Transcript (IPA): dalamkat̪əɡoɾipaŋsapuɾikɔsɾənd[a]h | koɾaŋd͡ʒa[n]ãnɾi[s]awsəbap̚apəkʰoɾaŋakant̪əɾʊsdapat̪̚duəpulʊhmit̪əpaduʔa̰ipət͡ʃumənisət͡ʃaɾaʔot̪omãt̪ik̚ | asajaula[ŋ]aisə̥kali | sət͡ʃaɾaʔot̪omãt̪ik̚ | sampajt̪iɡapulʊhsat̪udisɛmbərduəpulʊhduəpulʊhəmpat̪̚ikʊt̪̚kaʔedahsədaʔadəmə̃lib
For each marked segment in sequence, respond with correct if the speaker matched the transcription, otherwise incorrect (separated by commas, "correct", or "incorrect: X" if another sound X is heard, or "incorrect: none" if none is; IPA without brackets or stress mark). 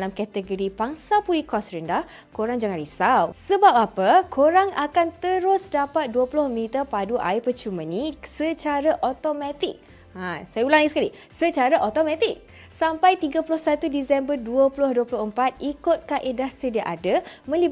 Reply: correct, incorrect: ŋ, correct, correct